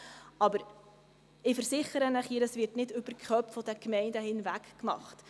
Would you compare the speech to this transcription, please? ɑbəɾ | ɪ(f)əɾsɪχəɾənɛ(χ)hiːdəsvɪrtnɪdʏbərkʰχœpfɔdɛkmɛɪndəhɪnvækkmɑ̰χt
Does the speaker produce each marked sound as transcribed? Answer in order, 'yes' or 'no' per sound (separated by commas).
yes, yes